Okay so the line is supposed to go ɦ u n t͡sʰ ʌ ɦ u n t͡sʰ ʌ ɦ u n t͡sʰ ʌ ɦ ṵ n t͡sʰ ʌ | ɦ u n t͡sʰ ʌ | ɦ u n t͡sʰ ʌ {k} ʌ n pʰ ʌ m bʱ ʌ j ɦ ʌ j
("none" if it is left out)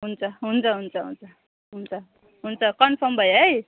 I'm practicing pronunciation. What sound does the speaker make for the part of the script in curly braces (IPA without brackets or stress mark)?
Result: k